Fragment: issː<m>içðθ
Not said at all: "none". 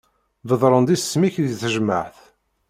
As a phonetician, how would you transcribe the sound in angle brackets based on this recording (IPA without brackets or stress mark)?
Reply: m